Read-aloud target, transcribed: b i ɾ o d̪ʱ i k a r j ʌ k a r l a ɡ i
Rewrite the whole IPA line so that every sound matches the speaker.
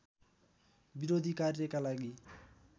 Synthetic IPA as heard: b i ɾ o d̪ʱ i k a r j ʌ k a l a ɡ i